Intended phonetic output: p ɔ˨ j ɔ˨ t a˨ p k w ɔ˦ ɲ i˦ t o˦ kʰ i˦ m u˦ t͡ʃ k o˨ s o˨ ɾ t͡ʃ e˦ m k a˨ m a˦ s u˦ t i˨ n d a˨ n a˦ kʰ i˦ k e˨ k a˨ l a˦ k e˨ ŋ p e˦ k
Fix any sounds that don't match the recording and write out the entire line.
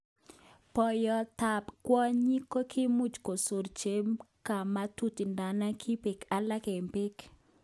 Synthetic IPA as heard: p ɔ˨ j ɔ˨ t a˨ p k w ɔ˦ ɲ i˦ k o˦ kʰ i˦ m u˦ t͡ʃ k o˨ s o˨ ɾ t͡ʃ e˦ m k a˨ m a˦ t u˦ t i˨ n d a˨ n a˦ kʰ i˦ p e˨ k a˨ l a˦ k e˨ m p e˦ k